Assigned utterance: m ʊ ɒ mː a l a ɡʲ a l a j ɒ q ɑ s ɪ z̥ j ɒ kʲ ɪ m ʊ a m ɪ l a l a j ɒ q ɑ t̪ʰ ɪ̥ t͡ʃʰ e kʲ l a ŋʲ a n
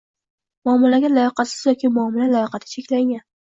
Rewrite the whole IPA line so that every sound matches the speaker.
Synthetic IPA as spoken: m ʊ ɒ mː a l a ɡʲ a l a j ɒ q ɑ s ɪ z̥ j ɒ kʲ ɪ m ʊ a m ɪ l a l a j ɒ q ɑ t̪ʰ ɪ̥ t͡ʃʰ e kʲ l a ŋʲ a n